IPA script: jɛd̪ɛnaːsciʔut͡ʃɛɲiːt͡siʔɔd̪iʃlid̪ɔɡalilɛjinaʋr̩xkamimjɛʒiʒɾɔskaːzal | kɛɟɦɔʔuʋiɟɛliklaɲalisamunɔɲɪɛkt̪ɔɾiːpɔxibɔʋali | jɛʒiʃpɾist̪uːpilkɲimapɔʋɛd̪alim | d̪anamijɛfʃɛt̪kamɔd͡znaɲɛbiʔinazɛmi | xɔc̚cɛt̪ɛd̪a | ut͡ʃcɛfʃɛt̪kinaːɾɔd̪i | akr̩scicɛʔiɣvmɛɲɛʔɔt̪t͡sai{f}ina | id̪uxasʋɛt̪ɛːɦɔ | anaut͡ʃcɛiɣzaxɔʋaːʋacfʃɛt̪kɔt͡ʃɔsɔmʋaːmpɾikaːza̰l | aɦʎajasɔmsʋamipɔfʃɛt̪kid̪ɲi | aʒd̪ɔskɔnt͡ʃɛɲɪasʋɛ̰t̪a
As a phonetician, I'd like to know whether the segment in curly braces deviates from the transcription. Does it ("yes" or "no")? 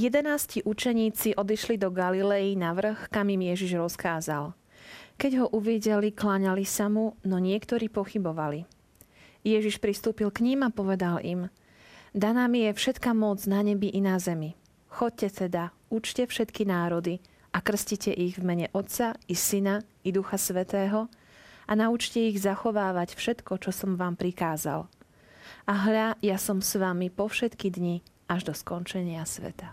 yes